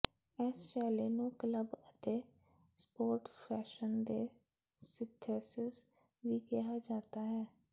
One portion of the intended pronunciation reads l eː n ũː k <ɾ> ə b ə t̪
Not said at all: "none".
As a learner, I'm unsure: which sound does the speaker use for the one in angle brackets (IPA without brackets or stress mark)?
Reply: l